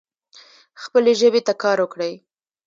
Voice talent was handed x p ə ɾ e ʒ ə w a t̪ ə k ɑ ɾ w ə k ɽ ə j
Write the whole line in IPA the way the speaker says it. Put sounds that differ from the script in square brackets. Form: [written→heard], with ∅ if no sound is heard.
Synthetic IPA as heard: x p ə [ɾ→l] e ʒ ə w [a→e] t̪ [ə→a] k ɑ ɾ w ə k ɽ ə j